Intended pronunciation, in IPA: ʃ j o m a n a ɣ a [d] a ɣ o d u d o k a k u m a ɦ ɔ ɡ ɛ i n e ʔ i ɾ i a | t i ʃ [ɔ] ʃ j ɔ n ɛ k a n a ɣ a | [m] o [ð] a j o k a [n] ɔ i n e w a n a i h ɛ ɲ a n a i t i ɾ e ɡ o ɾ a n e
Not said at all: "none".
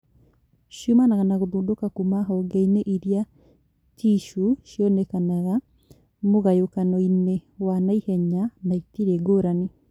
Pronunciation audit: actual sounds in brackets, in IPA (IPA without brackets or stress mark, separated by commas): n, u, m, ɣ, n